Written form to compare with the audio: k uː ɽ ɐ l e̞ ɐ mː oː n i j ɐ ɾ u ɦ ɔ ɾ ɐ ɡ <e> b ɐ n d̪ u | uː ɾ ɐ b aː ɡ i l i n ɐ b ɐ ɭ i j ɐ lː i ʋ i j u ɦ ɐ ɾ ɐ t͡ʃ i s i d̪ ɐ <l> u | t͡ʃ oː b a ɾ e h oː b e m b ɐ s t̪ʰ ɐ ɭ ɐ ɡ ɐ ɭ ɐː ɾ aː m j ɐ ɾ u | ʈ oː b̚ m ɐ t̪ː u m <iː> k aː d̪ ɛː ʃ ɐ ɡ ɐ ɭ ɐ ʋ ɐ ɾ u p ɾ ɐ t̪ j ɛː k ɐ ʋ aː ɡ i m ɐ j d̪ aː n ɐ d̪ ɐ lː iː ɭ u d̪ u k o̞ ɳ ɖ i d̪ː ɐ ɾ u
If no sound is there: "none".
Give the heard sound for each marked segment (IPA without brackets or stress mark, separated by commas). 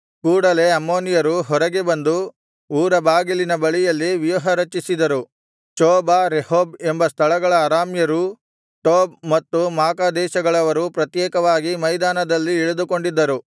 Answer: e, ɾ, aː